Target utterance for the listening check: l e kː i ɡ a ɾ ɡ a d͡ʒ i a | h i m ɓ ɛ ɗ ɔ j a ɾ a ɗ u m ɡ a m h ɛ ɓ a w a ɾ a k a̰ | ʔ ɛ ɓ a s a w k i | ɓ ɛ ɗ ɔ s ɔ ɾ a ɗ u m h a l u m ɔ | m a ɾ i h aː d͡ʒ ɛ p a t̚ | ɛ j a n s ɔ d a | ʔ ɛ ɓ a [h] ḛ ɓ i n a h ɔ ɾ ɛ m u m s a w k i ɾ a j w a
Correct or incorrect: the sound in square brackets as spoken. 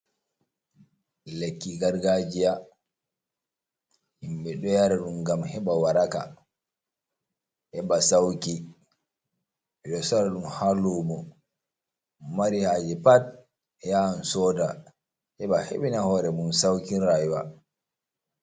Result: correct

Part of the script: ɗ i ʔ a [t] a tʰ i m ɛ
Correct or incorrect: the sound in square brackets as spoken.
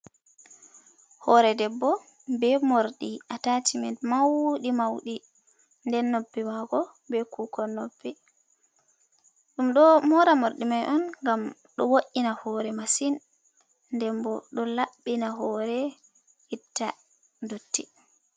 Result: correct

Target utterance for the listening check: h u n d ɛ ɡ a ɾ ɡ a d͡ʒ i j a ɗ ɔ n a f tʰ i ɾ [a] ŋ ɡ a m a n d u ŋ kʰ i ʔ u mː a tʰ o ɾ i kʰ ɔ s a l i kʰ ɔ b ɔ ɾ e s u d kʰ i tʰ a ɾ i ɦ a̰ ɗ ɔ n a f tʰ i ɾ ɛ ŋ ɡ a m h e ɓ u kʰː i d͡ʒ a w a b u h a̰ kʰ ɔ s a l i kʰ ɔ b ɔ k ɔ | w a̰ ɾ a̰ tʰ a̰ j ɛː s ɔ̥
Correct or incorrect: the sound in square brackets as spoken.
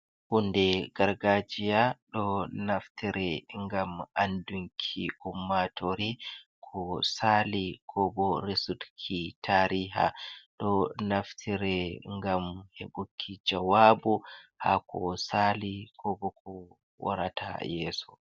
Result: incorrect: ɛ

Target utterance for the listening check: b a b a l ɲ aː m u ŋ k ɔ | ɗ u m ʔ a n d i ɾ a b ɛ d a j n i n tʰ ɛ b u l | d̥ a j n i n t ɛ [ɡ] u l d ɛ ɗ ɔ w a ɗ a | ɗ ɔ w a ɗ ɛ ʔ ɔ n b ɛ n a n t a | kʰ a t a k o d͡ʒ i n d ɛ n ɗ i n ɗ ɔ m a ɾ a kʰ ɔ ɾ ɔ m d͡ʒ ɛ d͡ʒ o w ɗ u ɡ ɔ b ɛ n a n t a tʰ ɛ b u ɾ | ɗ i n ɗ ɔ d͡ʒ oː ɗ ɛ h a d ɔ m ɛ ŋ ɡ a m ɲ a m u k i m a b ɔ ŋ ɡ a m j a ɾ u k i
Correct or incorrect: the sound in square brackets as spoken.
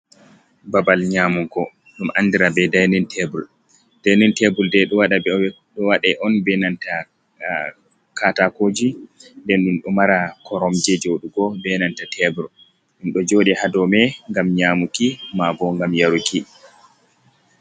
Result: incorrect: b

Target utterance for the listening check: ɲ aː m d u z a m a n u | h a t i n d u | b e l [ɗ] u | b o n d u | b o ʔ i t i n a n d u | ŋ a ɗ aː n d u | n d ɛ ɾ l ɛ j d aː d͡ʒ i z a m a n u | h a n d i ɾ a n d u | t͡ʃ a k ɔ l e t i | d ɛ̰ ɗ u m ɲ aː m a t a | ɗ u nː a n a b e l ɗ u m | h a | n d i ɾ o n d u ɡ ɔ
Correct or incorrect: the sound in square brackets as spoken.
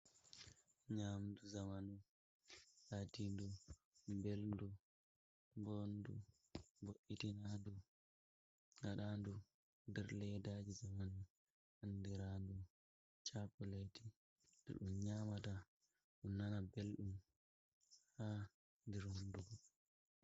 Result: incorrect: d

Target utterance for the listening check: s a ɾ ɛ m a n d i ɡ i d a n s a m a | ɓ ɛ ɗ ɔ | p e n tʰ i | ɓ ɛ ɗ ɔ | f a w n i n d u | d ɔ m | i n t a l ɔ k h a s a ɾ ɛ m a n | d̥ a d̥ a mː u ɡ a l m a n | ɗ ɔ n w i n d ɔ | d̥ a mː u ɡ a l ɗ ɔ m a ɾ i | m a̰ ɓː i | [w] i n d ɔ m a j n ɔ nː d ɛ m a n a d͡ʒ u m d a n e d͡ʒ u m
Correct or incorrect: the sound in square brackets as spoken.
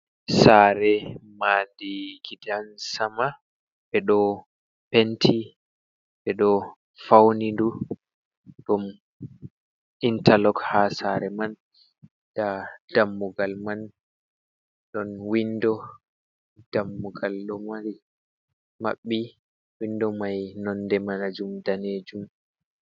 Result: correct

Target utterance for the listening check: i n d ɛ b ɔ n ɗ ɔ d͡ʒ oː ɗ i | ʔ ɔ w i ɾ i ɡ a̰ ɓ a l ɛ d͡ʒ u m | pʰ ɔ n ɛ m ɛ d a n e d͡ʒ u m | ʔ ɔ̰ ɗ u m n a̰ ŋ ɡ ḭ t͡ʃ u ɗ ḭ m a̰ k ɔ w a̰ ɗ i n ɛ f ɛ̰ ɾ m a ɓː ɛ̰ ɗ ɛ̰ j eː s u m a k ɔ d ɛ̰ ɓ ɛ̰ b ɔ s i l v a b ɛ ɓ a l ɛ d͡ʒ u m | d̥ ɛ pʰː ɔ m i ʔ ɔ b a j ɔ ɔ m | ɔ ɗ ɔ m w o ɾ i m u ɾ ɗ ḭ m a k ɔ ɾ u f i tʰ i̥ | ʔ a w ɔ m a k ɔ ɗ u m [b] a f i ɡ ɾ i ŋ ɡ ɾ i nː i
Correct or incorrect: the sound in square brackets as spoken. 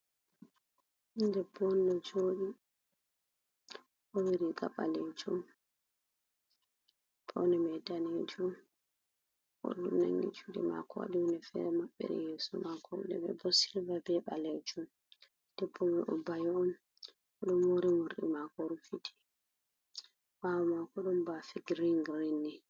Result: correct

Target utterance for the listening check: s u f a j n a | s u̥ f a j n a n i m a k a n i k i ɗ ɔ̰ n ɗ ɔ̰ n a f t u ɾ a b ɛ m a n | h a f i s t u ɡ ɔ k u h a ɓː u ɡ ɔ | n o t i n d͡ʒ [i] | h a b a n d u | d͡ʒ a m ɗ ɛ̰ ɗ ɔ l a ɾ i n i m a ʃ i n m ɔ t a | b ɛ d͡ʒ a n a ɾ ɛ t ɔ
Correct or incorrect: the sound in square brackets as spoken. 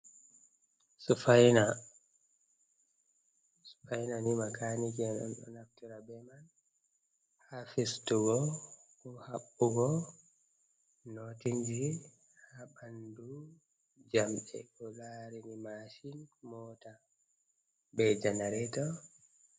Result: correct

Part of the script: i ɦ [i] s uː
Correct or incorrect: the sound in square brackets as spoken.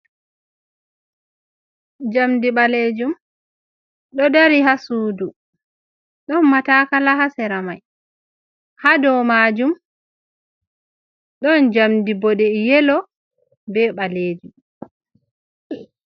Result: incorrect: a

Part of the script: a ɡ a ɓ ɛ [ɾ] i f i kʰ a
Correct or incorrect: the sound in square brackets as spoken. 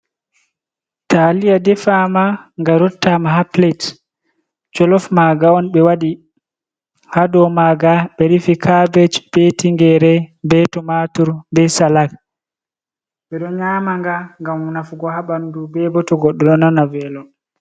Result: correct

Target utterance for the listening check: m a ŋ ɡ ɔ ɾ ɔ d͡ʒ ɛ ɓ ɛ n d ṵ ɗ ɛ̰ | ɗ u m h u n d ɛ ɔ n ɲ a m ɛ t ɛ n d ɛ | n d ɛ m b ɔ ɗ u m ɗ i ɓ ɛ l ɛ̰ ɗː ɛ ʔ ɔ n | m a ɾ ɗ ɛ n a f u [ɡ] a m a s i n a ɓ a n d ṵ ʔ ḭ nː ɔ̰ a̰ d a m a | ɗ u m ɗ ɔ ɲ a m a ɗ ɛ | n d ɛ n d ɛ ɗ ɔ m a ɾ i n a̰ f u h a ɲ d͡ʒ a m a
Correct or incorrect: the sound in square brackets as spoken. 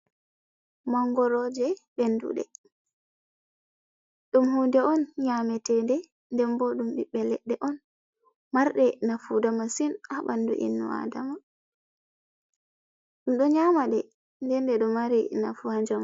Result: incorrect: d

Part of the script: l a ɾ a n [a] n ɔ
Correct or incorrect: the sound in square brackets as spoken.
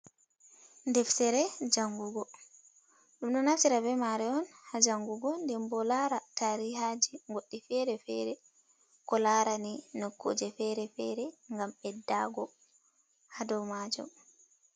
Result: incorrect: i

